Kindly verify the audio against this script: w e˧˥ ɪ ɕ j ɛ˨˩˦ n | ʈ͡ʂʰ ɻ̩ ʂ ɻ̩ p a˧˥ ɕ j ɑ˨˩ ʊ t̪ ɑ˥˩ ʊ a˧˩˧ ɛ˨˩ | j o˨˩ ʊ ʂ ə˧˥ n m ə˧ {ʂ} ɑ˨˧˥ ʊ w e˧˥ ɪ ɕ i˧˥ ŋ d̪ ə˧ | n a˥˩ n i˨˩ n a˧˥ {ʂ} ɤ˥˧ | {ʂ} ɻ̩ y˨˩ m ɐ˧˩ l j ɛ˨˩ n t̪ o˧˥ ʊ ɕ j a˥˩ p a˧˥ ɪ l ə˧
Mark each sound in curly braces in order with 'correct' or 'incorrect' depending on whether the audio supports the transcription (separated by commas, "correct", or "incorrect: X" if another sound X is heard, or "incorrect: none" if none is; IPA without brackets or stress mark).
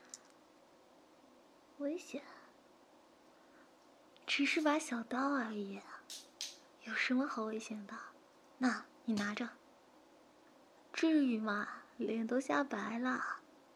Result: incorrect: x, incorrect: ʈ͡ʂ, incorrect: ʈ͡ʂ